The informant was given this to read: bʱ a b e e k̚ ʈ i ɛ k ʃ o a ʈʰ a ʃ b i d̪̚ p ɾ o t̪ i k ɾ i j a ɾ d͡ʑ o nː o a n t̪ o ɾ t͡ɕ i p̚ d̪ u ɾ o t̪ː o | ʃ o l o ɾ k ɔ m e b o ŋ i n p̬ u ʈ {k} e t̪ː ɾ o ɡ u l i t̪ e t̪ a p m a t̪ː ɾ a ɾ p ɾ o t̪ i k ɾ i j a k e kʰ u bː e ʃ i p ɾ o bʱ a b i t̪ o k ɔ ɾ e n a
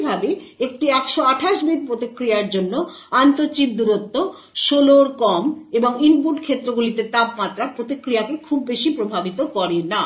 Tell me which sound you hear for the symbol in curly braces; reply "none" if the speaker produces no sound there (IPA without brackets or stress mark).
kʰ